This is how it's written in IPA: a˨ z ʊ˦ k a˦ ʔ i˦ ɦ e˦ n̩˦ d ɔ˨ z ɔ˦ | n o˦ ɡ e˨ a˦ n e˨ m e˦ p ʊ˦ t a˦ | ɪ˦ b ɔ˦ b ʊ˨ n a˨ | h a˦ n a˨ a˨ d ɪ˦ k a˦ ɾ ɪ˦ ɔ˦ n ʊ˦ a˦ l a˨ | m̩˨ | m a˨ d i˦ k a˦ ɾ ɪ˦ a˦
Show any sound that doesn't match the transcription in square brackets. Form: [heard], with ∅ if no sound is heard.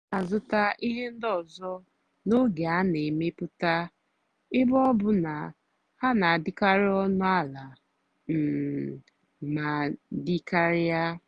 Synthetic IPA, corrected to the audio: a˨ z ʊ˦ [t] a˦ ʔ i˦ ɦ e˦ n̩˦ d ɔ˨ z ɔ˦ | n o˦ ɡ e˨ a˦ n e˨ m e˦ p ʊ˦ t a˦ | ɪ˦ b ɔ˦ b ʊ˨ n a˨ | h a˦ n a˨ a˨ d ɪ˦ k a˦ ɾ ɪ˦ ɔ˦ n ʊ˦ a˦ l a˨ | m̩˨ | m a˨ d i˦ k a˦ ɾ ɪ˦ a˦